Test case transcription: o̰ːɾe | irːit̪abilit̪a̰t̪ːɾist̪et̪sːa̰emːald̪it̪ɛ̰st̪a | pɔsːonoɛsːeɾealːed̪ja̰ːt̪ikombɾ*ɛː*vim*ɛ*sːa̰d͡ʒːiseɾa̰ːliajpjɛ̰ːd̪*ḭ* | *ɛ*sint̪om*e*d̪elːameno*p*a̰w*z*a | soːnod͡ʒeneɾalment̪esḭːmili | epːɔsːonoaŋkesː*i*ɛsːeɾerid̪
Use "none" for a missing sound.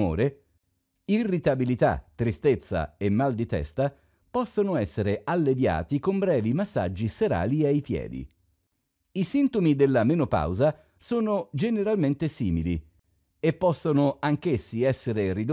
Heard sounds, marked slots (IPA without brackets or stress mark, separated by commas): ɛː, a, ḭ, i, i, p, z, i